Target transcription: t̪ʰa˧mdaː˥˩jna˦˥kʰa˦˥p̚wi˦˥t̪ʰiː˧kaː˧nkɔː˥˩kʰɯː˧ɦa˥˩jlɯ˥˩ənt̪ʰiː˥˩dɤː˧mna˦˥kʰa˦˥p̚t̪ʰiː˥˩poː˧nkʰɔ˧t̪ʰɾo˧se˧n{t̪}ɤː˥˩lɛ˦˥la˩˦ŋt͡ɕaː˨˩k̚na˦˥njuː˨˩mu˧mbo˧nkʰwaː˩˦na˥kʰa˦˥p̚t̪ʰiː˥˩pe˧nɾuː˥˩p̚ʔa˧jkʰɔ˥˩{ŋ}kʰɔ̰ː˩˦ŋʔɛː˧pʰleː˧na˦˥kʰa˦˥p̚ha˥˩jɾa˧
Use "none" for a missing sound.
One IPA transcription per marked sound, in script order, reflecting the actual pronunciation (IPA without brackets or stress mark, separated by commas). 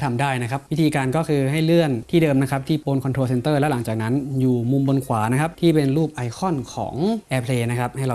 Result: t̪, n